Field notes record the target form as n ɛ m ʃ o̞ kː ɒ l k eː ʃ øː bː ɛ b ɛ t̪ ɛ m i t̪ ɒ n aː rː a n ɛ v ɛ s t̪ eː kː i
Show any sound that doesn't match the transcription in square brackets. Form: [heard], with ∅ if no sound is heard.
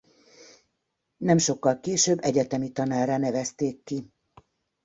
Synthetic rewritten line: n ɛ m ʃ o̞ kː ɒ l k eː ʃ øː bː ɛ [ɟ] ɛ t̪ ɛ m i t̪ ɒ n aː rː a n ɛ v ɛ s t̪ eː kː i